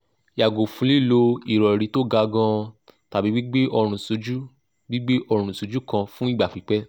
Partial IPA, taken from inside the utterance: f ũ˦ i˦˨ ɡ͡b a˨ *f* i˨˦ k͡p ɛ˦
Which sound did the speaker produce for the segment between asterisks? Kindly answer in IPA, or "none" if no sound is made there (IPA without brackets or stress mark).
f